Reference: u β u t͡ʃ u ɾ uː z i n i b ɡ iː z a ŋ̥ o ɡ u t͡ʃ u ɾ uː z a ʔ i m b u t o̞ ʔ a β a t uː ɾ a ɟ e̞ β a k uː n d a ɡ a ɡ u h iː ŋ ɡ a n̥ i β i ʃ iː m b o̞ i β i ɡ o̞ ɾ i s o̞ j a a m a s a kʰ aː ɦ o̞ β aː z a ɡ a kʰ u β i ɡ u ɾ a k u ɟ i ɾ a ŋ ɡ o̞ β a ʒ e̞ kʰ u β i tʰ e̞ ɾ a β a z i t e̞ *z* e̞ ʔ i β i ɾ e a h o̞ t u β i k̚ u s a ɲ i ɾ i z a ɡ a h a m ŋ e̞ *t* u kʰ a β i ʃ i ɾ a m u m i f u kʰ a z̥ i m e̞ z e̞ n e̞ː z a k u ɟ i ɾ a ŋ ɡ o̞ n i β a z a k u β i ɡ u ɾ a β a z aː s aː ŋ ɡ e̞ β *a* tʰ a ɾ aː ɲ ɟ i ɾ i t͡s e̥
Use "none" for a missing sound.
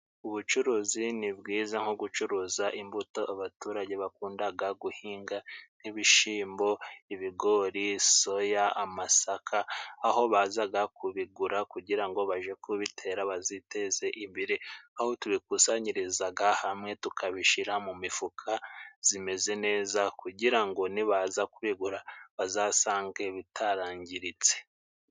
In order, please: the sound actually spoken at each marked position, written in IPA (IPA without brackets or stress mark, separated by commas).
z, t, i